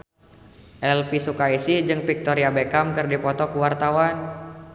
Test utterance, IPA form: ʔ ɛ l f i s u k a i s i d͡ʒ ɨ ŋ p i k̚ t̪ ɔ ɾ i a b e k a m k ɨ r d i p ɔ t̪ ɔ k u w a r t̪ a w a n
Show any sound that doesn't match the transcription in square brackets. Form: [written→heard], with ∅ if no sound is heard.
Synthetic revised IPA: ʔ ɛ l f i s u k a i s i d͡ʒ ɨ ŋ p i k̚ t̪ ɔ ɾ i a b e k a m k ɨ r d i p ɔ t̪ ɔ k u w a r t̪ a w a n